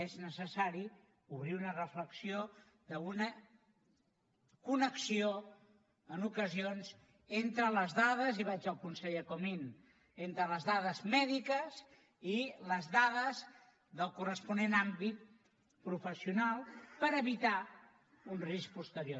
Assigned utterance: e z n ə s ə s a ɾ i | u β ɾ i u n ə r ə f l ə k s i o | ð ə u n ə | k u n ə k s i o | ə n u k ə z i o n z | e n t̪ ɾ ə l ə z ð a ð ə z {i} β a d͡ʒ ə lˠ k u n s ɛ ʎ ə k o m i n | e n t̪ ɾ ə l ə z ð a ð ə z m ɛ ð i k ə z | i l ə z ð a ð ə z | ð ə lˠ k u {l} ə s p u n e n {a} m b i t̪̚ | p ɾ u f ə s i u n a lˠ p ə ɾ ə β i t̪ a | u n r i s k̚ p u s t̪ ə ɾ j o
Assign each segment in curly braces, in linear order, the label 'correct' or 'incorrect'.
correct, incorrect: r, correct

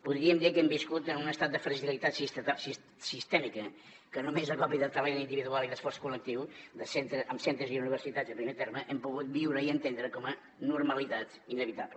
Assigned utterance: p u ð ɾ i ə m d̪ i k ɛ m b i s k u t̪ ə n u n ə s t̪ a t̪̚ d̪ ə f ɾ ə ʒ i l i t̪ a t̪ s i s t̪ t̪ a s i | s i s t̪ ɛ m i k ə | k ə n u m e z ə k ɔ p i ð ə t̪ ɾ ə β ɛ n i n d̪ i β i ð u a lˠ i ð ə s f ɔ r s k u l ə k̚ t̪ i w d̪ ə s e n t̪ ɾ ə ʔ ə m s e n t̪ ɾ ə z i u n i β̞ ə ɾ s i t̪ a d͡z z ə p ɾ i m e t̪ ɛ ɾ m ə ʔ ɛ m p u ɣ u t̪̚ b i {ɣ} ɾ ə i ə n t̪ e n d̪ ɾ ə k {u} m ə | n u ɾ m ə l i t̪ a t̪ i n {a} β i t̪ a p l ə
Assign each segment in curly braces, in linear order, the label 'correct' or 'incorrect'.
incorrect: w, incorrect: ɔ, incorrect: ə

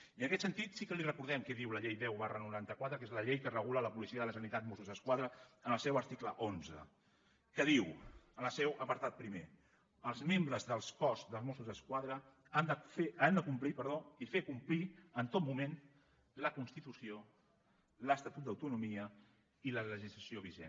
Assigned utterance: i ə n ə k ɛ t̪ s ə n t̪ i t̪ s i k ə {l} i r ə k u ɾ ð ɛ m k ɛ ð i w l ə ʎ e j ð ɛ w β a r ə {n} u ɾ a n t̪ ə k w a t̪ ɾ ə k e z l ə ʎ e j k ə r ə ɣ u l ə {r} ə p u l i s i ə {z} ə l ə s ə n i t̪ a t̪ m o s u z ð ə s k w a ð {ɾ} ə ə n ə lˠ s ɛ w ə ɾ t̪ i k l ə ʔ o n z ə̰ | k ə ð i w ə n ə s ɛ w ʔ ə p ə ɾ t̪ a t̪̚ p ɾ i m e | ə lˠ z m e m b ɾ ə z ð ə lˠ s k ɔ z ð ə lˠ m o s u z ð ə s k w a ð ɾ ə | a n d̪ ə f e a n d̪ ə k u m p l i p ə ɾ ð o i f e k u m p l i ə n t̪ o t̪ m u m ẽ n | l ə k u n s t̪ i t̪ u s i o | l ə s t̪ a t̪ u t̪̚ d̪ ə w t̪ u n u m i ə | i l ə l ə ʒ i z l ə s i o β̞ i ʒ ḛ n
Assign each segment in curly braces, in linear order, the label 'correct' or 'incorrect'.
correct, correct, incorrect: l, incorrect: ð, correct

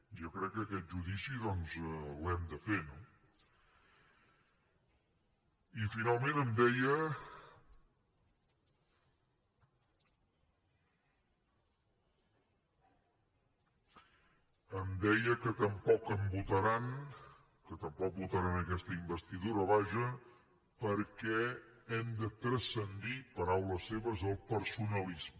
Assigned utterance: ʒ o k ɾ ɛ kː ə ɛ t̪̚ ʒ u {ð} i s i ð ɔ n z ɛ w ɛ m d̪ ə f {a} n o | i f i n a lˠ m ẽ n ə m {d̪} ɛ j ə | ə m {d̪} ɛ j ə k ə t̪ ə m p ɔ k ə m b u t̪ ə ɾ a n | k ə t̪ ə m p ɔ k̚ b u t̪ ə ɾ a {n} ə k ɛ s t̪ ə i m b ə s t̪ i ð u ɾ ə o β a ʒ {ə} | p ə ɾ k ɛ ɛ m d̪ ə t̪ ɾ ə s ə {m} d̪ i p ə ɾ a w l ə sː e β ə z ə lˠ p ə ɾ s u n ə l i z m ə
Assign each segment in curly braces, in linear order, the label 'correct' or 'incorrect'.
correct, incorrect: e, correct, correct, correct, correct, incorrect: n

